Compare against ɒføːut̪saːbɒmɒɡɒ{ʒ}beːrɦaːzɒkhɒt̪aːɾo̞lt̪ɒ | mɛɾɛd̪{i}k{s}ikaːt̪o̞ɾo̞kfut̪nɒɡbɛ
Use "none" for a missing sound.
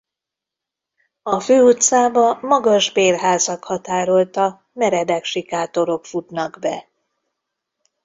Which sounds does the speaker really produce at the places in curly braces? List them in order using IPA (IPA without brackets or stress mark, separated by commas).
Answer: ʒ, ɛ, ʃ